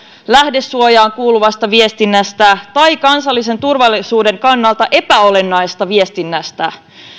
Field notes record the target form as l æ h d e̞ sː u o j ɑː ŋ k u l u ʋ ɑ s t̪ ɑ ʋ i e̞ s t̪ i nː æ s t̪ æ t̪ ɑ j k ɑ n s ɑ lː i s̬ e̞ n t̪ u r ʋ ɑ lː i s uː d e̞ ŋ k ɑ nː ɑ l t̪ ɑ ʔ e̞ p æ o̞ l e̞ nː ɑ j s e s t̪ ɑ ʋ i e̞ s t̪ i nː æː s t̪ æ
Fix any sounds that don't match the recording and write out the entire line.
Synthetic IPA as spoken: l æ h d e̞ sː u o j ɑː ŋ k uː l u ʋ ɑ s t̪ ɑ ʋ i e̞ s t̪ i nː æ s t̪ æ t̪ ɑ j k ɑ n s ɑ lː i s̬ e̞ n t̪ u r ʋ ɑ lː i s uː d e̞ ŋ k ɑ nː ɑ l t̪ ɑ ʔ e̞ p æ o̞ l e̞ nː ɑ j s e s t̪ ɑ ʋ i e̞ s t̪ i nː æ s t̪ æ

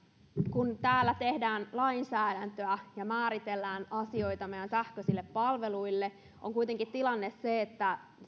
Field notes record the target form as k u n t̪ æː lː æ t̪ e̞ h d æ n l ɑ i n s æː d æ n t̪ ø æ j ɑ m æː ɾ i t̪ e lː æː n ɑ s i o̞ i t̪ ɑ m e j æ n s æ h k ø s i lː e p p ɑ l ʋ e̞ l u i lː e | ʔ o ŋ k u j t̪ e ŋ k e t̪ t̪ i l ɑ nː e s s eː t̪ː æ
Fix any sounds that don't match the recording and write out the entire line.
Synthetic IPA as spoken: k u n t̪ æː lː æ t̪ e̞ h d æː n l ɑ i n s æː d æ n t̪ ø æ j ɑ m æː ɾ i t̪ e lː æː n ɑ s i o̞ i t̪ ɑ m e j æ n s æ h k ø s i lː e p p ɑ l ʋ e̞ l u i lː e | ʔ o ŋ k u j t̪ e ŋ k i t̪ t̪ i l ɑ nː e s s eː t̪ː æ

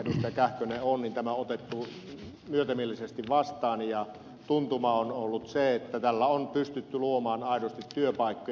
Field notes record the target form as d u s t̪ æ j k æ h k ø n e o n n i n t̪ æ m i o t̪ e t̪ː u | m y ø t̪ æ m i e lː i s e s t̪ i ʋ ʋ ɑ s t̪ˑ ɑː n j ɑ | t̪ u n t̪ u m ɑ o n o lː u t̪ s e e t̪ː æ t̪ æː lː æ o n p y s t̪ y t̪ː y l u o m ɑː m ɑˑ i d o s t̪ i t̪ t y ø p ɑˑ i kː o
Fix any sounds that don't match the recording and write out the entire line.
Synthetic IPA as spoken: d u s t̪ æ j k æ h k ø n e o n n i n t̪ æ m æ o t̪ e t̪ː u | m y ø t̪ æ m i e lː i s e s t̪ i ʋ ʋ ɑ s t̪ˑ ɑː n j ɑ | t̪ u n t̪ u m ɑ o n o lː u t̪ s e e t̪ː æ t̪ æ lː æ o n p y s t̪ y t̪ː y l u o m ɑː n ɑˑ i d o s t̪ i t̪ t y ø p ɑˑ i kː o

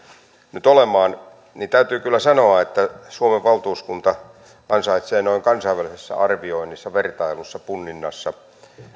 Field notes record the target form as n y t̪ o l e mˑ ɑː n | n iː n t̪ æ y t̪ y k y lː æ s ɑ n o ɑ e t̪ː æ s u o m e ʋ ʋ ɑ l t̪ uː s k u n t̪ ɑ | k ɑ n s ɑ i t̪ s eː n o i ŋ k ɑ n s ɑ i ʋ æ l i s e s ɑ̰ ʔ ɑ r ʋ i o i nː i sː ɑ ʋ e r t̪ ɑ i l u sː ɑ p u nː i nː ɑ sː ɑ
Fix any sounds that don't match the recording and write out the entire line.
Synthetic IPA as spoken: n y t̪ o l e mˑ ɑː n | n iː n t̪ æ y t̪ yː k y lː æ s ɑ n o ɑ e t̪ː æ s u o m e ʋ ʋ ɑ l t̪ uː s k u n t̪ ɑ | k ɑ n s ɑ i t̪ s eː n o i ŋ k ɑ n s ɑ i ʋ æ l i s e sː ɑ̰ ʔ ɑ r ʋ i o i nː i sː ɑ ʋ e r t̪ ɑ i l u sː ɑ p u nː i nː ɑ sː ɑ

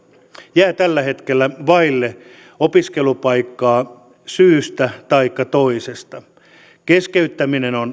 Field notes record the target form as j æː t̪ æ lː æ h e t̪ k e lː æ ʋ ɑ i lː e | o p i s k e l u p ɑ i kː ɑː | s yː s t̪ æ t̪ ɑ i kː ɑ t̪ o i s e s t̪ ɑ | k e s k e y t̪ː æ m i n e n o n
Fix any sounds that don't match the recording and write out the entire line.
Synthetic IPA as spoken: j æː t̪ æ lː æ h e t̪ k e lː æ ʋ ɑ i lː e | o p i s k e l u p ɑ i kː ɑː | s yː s t̪ æ t̪ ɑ i kː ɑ t̪ o i s e s t̪ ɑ | k e s k e y t̪ː æ m i n e n o n

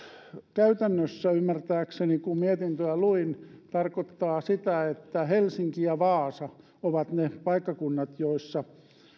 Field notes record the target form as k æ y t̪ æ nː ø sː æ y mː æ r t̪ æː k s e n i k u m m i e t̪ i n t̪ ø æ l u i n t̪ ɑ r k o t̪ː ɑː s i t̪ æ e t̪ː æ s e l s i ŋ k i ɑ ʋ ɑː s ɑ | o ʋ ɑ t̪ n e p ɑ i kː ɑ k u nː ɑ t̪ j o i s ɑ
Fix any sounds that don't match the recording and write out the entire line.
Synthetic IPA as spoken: k æ y t̪ æ nː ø sː æ y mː æ r t̪ æː k s e n i k u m m i e t̪ i n t̪ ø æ l u i n t̪ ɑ r k o t̪ː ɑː s i t̪ æ e t̪ː æ h e l s i ŋ k i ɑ ʋ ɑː s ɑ | o ʋ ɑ t̪ n e p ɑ i kː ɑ k u nː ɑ t̪ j o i sː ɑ

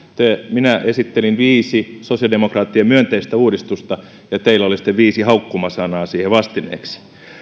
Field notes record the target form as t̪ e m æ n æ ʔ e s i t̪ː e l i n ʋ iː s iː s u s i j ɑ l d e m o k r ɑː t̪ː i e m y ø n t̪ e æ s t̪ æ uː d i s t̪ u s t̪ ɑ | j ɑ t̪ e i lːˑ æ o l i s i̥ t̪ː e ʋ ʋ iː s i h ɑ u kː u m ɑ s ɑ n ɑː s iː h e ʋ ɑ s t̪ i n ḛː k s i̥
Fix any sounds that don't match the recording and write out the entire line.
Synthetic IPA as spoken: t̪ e m i n æ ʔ e s i t̪ː e l i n ʋ iː s i s o s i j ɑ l d e m o k r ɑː t̪ː i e m y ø n t̪ e i s t̪ æ uː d i s t̪ u s t̪ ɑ | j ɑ t̪ e i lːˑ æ o l i s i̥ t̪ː e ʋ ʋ iː s i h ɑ u kː u m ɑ s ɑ n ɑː s iː h e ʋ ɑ s t̪ i n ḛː k s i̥

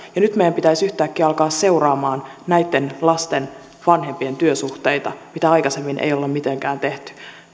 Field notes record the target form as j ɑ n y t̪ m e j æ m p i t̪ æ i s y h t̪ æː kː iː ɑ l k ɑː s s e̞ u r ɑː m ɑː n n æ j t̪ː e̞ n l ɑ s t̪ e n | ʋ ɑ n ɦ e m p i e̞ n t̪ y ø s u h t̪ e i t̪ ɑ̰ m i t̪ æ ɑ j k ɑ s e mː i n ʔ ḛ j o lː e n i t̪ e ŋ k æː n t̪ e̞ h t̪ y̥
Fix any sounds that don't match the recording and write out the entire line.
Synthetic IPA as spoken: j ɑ n y t̪ m e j æ m p i t̪ æ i s y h t̪ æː kː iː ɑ l k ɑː s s e̞ u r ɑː m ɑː n n æ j t̪ː e̞ n l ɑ s t̪ e n | ʋ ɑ n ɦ e m p i e̞ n t̪ y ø s u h t̪ e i t̪ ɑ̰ m i t̪ æ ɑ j k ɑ s e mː i n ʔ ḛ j o lː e m i t̪ e ŋ k æː n t̪ e̞ h t̪ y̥

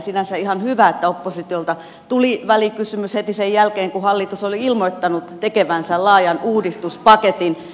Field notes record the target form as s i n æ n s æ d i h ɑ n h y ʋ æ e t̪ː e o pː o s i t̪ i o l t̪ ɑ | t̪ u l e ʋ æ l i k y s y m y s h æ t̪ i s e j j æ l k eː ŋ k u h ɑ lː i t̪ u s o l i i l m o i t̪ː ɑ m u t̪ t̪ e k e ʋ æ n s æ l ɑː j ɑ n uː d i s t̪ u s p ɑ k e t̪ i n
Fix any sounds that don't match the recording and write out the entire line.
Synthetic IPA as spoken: s i n æ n s æ i h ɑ n h y ʋ æ e t̪ː æ o pː o s i t̪ i o l t̪ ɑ | t̪ u l i ʋ æ l i k y s y m y s h e t̪ i s e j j æ l k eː ŋ k u h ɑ lː i t̪ u s o l i i l m o i t̪ː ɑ n u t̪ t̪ e k e ʋ æ n s æ l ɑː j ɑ n uː d i s t̪ u s p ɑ k e t̪ i n

